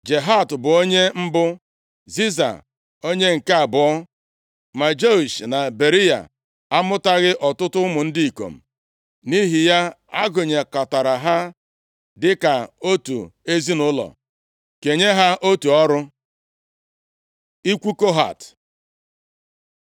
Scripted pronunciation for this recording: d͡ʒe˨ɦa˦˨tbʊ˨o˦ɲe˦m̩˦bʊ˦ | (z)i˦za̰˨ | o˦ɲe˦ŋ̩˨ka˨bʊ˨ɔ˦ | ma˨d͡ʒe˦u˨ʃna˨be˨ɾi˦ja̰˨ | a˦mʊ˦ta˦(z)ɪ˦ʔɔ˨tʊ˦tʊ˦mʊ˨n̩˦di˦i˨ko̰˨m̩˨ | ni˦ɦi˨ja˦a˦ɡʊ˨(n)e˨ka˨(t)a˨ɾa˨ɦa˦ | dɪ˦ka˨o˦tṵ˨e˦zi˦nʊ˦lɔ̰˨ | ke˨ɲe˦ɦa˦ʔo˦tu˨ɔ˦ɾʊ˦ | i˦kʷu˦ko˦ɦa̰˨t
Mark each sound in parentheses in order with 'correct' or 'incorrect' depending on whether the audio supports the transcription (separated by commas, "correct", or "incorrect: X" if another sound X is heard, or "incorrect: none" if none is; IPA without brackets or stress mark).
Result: correct, incorrect: ɣ, incorrect: ɲ, correct